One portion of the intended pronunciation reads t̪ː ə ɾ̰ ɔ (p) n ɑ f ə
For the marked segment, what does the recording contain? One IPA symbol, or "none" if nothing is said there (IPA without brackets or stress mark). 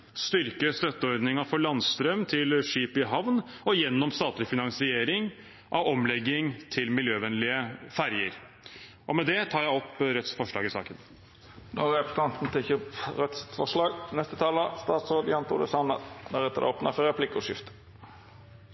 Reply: p